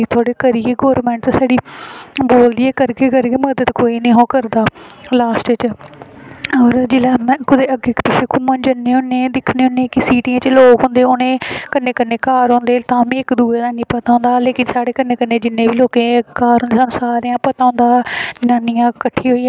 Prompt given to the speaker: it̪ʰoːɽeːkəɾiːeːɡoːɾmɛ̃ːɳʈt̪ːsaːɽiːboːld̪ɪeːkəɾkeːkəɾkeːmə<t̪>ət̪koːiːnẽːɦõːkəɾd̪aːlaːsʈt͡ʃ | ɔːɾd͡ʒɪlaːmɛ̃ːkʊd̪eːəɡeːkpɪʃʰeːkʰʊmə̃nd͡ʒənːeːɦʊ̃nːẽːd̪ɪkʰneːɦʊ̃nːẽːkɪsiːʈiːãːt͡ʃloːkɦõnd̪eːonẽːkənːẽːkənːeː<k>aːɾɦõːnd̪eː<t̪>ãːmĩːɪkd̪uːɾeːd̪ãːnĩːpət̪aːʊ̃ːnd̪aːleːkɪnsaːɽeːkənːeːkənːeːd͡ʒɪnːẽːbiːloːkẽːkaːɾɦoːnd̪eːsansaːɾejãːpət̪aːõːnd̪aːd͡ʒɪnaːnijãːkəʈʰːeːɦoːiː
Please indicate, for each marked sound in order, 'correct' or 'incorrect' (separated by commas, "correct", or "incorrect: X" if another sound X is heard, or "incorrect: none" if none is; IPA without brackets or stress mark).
incorrect: d̪, correct, correct